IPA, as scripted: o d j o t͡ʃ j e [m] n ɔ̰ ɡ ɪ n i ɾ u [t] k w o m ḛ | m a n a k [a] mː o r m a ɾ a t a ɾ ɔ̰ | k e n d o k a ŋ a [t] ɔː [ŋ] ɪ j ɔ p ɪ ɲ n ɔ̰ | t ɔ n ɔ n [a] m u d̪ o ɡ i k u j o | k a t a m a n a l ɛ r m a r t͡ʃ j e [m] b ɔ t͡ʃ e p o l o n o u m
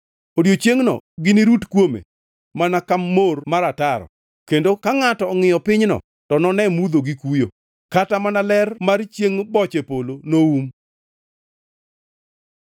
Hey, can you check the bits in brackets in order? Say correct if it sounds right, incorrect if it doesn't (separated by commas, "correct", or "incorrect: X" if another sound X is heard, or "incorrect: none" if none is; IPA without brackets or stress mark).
incorrect: ŋ, correct, correct, correct, correct, incorrect: ɛ, incorrect: ŋ